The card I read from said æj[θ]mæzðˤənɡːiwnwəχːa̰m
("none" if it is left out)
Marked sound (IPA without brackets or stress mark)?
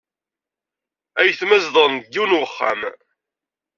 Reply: θ